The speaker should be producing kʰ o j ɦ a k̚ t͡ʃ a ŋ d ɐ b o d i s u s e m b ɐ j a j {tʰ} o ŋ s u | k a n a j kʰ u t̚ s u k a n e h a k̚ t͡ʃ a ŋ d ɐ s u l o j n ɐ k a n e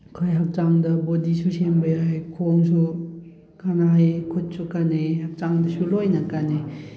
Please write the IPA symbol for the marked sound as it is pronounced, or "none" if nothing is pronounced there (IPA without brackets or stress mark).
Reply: kʰ